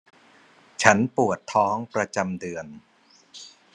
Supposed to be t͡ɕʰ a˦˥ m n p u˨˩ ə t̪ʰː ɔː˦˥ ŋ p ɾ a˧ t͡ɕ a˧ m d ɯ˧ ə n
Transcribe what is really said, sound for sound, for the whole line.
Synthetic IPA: t͡ɕʰ a˦˥ n p u˨˩ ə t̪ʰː ɔː˦˥ ŋ p ɾ a˧ t͡ɕ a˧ m d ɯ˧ ə n

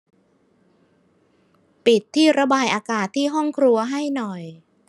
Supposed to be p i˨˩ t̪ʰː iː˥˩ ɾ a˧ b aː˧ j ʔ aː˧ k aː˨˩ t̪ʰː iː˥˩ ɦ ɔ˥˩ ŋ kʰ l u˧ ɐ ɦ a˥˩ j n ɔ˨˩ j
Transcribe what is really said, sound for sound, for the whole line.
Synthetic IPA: p i˨˩ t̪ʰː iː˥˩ ɾ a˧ b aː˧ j ʔ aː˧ k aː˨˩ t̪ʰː iː˥˩ ɦ ɔ˥˩ ŋ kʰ ɾ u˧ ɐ ɦ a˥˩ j n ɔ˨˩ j

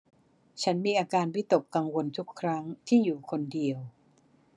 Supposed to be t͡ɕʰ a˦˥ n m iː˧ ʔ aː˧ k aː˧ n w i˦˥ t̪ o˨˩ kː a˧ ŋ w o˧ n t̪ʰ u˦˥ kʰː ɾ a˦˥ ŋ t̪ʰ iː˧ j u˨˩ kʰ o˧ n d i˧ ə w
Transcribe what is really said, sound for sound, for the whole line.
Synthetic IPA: t͡ɕʰ a˦˥ n m iː˧ ʔ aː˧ k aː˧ n w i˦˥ t̪ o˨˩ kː a˧ ŋ w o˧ n t̪ʰ u˦˥ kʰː ɾ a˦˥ ŋ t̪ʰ iː˥˩ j uː˨˩ kʰ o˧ n d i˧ ə w

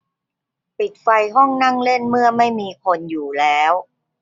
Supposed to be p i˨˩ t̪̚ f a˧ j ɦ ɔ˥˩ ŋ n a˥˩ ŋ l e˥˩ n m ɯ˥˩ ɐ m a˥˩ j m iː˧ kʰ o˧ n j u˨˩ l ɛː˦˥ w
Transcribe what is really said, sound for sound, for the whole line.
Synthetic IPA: p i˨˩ t̪̚ f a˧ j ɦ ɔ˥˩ ŋ n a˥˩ ŋ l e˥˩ n m ɯ˥˩ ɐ m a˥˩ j m iː˧ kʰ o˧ n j uː˨˩ l ɛː˦˥ w

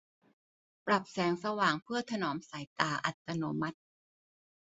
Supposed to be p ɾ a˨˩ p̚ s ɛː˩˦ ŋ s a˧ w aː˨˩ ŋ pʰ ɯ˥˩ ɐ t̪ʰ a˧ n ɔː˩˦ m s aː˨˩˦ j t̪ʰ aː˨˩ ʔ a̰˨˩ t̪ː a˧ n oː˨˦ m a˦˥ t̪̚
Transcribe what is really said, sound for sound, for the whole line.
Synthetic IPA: p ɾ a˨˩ p̚ s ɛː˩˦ ŋ s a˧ w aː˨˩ ŋ pʰ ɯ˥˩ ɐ t̪ʰ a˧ n ɔː˩˦ m s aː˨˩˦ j t̪ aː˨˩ ʔ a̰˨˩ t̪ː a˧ n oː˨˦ m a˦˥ t̪̚

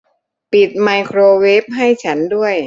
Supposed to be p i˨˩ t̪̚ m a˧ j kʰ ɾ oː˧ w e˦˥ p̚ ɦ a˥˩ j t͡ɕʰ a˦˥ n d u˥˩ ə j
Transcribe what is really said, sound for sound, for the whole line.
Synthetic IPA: p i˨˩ t̪̚ m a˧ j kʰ ɾ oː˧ w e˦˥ p̚ ɦ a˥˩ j t͡ɕʰ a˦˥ n d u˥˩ ə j

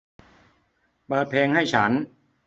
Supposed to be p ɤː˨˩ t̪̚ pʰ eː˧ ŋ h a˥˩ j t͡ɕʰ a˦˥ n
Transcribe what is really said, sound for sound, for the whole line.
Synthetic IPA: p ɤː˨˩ t̪̚ pʰ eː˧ ŋ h a˥˩ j t͡ɕʰ a˦˥ n

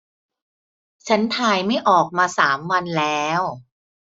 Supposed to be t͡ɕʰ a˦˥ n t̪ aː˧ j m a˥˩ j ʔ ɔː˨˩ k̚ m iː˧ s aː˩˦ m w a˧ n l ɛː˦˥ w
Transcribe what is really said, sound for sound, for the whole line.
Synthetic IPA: t͡ɕʰ a˦˥ n t̪ʰ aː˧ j m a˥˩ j ʔ ɔː˨˩ k̚ m aː˧ s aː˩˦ m w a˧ n l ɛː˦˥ w

